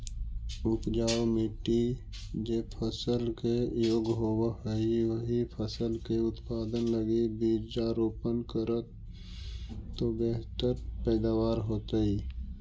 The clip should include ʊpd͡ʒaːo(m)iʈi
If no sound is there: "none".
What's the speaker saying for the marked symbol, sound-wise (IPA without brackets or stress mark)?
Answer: m